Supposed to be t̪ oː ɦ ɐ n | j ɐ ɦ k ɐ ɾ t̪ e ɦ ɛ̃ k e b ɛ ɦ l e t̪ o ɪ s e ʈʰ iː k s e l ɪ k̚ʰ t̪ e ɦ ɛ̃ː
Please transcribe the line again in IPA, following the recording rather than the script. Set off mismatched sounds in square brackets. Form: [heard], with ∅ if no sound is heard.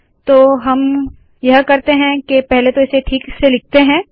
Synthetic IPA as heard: t̪ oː ɦ ɐ [m] | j ɐ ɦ k ɐ ɾ t̪ e ɦ ɛ̃ k e [p] ɛ ɦ l e t̪ o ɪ s e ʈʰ iː k s e l ɪ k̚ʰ t̪ e ɦ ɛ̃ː